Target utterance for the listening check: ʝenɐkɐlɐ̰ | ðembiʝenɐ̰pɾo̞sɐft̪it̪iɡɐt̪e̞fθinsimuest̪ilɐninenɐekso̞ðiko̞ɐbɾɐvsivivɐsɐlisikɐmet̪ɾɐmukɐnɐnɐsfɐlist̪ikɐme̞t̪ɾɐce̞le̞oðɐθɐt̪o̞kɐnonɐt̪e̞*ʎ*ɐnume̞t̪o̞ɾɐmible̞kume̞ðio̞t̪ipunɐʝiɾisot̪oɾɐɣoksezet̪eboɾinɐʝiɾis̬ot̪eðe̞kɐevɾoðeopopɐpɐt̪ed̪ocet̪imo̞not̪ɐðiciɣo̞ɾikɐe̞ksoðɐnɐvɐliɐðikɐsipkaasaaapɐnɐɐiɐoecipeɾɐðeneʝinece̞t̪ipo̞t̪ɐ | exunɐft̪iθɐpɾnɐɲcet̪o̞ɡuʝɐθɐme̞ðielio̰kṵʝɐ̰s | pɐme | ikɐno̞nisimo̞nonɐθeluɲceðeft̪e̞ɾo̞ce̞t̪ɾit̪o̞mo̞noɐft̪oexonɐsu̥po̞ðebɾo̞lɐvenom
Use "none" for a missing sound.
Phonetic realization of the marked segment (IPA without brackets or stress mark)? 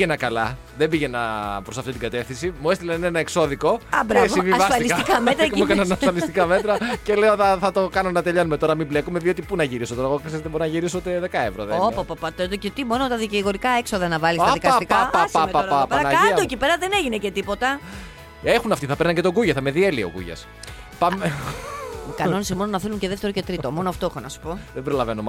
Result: ʎ